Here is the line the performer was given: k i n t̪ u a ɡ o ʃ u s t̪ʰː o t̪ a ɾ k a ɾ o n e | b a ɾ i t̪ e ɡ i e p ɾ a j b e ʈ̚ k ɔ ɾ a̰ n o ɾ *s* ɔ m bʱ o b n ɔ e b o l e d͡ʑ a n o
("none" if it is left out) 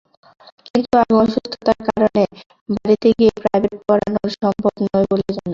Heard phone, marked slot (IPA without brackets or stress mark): ʃ